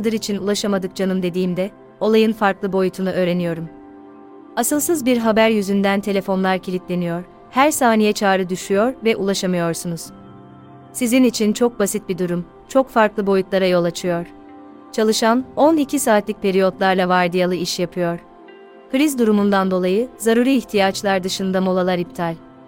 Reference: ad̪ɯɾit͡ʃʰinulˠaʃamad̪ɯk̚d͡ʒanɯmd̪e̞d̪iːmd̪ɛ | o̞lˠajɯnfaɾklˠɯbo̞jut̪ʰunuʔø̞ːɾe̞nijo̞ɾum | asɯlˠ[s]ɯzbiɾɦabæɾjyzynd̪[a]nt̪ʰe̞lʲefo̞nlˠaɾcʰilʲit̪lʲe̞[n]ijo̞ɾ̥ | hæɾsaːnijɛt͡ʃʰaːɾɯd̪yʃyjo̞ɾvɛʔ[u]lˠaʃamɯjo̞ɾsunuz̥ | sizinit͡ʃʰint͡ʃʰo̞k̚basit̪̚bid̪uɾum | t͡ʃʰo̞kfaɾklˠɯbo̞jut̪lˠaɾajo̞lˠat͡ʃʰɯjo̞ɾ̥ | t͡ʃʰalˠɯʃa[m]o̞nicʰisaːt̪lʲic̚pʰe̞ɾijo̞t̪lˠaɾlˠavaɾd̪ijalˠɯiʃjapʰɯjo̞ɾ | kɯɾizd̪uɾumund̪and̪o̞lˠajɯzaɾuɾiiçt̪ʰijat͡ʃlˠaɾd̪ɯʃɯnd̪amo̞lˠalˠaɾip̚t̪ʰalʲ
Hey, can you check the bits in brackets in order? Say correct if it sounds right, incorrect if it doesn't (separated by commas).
correct, incorrect, correct, correct, incorrect